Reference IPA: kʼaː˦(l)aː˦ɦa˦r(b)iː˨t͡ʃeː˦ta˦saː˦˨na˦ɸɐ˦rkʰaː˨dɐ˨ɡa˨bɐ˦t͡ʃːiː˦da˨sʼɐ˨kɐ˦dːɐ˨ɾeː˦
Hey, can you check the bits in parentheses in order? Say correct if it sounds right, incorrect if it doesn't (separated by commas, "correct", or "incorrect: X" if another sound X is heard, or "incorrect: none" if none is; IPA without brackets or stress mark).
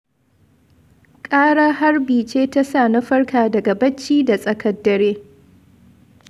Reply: incorrect: ɽ, correct